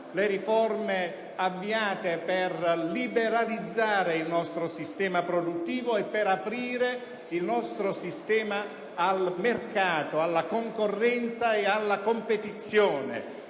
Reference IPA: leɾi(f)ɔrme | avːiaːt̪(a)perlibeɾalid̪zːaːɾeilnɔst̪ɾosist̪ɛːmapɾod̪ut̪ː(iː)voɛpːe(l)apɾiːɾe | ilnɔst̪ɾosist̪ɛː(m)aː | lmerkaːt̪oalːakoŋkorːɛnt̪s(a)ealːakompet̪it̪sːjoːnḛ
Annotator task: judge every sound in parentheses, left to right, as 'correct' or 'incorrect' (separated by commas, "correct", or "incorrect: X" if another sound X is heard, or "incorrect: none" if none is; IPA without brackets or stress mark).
correct, incorrect: e, correct, incorrect: ɾ, correct, correct